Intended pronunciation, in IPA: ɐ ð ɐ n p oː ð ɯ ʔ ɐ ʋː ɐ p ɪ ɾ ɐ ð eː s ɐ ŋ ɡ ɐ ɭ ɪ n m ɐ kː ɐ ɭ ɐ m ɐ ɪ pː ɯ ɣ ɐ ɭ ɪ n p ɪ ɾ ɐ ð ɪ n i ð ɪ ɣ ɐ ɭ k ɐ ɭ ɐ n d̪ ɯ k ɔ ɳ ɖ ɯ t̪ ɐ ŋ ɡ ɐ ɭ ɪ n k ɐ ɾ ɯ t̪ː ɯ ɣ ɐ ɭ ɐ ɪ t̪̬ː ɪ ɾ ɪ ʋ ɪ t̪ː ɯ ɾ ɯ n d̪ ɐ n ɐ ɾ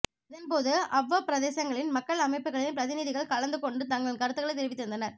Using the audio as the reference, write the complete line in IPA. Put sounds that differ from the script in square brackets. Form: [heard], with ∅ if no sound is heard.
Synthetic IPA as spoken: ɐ ð ɐ n p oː ð ɯ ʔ ɐ ʋː ɐ p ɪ ɾ ɐ ð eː s ɐ ŋ ɡ ɐ ɭ ɪ n m ɐ kː ɐ ɭ ɐ m ɐ ɪ pː ɯ ɣ ɐ ɭ ɪ n p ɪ ɾ ɐ ð ɪ n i ð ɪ ɣ ɐ ɭ k ɐ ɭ ɐ n d̪ ɯ k ɔ ɳ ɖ ɯ t̪ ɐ ŋ ɡ ɐ ɭ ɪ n k ɐ ɾ ɯ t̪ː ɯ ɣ ɐ ɭ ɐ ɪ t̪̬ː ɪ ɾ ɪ ʋ ɪ t̪ː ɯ ɾ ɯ n d̪ ɐ n ɐ ɾ

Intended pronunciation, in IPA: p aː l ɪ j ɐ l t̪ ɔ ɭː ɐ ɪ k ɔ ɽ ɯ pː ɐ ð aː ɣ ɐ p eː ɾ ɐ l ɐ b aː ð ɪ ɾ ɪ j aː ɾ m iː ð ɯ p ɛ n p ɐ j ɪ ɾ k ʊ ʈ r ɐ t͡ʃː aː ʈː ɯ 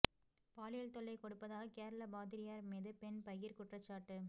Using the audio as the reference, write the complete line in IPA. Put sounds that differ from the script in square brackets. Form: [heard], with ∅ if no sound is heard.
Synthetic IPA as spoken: p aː l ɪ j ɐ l t̪ ɔ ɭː ɐ ɪ k ɔ ɽ ɯ pː ɐ ð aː ɣ ɐ [k] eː ɾ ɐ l ɐ b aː ð ɪ ɾ ɪ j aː ɾ m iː ð ɯ p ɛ n p ɐ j ɪ ɾ k ʊ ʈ r ɐ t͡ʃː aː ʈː ɯ

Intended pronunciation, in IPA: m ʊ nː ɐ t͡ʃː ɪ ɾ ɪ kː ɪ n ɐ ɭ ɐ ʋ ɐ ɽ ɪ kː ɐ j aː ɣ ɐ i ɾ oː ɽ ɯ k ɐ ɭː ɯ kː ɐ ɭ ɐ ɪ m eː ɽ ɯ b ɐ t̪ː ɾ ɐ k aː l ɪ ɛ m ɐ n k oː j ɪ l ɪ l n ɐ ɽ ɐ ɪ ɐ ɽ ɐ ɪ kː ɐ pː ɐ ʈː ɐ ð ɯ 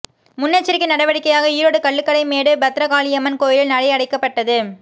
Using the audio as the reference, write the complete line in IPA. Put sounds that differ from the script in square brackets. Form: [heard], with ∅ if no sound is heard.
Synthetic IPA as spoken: m ʊ nː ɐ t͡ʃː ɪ ɾ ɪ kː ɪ n ɐ [ɽ] ɐ ʋ ɐ ɽ ɪ kː ɐ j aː ɣ ɐ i ɾ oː ɽ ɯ k ɐ ɭː ɯ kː ɐ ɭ ɐ ɪ m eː ɽ ɯ b ɐ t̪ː ɾ ɐ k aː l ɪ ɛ m ɐ n k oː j ɪ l ɪ l n ɐ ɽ ɐ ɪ ɐ ɽ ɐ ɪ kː ɐ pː ɐ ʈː ɐ ð ɯ

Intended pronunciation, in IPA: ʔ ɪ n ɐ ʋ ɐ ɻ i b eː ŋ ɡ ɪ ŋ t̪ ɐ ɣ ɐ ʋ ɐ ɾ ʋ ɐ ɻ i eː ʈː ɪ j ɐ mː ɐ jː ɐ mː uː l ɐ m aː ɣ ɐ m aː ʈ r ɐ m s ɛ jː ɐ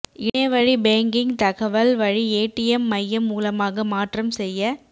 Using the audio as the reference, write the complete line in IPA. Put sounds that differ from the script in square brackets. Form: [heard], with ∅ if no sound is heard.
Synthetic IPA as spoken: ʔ ɪ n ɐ ʋ ɐ ɻ i b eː ŋ ɡ ɪ ŋ t̪ ɐ ɣ ɐ ʋ ɐ [l] ʋ ɐ ɻ i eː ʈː ɪ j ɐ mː ɐ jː ɐ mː uː l ɐ m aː ɣ ɐ m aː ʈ r ɐ m s ɛ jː ɐ

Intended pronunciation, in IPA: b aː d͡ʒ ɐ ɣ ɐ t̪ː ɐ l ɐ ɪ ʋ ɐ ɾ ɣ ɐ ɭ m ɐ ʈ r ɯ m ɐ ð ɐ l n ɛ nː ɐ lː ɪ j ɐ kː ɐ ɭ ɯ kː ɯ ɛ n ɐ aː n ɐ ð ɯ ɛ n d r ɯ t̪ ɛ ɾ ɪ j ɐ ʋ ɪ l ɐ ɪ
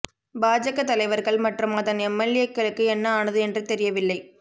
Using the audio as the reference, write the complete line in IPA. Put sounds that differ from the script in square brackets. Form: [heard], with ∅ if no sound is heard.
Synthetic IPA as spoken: b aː d͡ʒ ɐ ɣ ɐ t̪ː ɐ l ɐ ɪ ʋ ɐ ɾ ɣ ɐ ɭ m ɐ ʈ r ɯ m ɐ ð ɐ [∅] n ɛ [mː] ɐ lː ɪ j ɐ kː ɐ ɭ ɯ kː ɯ ɛ [nː] ɐ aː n ɐ ð ɯ ɛ n d r ɯ t̪ ɛ ɾ ɪ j ɐ ʋ ɪ [lː] ɐ ɪ

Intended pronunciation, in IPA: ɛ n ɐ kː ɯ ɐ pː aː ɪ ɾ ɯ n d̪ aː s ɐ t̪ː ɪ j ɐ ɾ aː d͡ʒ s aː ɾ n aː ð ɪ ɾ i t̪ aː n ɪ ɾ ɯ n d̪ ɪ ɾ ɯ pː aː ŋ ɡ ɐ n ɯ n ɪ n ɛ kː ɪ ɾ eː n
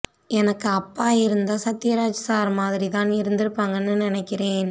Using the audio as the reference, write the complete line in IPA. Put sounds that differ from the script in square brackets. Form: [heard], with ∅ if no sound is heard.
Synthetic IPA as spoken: ɛ n ɐ kː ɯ ɐ pː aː ɪ ɾ ɯ n d̪ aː s ɐ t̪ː ɪ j ɐ ɾ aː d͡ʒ s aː ɾ [m] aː ð ɪ ɾ i t̪ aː n ɪ ɾ ɯ n d̪ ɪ ɾ ɯ pː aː ŋ ɡ ɐ [nː] ɯ n ɪ n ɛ kː ɪ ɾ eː n

